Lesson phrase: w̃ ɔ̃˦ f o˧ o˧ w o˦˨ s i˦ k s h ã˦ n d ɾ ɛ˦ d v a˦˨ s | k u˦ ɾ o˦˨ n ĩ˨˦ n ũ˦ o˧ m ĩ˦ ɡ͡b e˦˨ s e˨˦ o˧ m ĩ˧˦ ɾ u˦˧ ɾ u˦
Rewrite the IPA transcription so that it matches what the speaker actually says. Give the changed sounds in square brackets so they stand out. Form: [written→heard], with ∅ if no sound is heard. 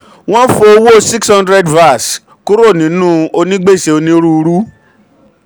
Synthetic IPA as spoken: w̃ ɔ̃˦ f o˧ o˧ w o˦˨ s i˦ k s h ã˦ n d ɾ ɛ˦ d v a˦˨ s | k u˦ ɾ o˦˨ n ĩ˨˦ n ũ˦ o˧ [m→n] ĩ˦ ɡ͡b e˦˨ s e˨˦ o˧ [m→n] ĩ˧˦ ɾ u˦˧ ɾ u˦